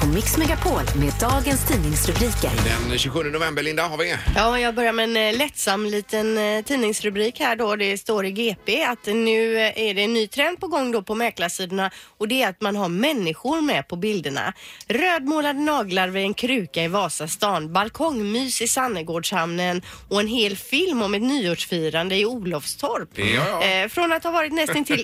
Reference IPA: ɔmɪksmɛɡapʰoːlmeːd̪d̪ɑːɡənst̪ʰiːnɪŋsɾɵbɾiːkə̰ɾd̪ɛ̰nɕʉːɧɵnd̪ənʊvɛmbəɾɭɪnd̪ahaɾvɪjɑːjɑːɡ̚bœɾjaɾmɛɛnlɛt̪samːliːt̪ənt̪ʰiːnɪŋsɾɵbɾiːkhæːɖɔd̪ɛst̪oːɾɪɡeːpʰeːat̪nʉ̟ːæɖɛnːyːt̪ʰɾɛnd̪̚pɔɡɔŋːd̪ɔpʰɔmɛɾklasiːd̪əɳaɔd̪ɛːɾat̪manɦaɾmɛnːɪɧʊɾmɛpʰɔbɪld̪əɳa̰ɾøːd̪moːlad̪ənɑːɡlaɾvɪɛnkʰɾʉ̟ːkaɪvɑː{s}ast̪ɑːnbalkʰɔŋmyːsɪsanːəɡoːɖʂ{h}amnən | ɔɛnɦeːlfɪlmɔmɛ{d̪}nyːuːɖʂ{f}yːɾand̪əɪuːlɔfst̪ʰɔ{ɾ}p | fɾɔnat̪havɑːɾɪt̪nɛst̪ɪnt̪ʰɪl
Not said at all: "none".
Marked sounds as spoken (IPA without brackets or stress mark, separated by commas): s, h, t̪, f, ɾ